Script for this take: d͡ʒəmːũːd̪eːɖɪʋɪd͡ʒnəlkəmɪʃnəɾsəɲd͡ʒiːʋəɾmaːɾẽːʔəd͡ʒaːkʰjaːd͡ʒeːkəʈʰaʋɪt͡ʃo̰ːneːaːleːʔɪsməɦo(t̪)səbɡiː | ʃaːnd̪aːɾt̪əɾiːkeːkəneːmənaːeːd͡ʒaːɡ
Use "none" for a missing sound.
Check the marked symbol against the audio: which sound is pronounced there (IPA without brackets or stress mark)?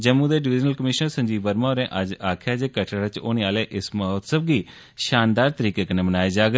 t̪